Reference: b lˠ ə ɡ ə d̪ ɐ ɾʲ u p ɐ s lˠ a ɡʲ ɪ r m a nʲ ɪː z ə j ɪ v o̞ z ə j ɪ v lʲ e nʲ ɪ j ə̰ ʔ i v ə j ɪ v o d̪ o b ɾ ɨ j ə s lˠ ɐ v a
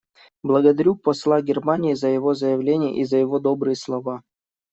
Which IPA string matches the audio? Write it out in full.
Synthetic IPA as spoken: b lˠ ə ɡ ə d̪ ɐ ɾʲ u p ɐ s lˠ a ɡʲ ɪ r m a nʲ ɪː z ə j ɪ v o̞ z ə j ɪ v lʲ e nʲ ɪ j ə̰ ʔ i z ə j ɪ v o d̪ o b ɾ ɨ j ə s lˠ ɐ v a